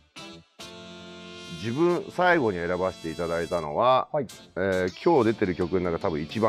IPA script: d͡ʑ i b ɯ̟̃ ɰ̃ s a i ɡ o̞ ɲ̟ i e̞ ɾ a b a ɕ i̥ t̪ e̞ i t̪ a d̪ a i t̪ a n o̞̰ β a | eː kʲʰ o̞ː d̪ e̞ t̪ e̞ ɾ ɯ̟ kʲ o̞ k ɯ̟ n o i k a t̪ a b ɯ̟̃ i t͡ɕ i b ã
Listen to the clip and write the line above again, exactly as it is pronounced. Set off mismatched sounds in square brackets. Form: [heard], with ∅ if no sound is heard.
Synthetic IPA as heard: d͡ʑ i b ɯ̟̃ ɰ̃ s a i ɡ o̞ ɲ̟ i e̞ ɾ a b a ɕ i̥ t̪ e̞ i t̪ a d̪ a i t̪ a n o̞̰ β a | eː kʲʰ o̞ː d̪ e̞ t̪ e̞ ɾ ɯ̟ kʲ o̞ k ɯ̟ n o [a] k a t̪ a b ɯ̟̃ i t͡ɕ i b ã